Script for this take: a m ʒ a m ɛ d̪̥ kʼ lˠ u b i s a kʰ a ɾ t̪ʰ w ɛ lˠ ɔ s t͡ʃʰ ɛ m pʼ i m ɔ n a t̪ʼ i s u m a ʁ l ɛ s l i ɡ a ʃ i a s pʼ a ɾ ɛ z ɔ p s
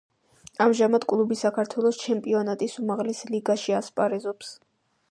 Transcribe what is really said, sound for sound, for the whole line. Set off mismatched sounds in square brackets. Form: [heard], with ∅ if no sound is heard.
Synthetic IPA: a m ʒ a m [a] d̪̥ kʼ lˠ u b i s a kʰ a ɾ t̪ʰ w ɛ lˠ ɔ s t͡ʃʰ ɛ m pʼ i [∅] ɔ n a t̪ʼ i s u m a ʁ l ɛ s l i ɡ a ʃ i a s pʼ a ɾ ɛ z ɔ p s